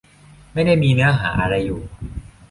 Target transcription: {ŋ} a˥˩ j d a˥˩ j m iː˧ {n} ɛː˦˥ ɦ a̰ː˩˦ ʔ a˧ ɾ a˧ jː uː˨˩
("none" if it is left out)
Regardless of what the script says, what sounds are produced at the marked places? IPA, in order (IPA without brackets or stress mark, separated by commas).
m, n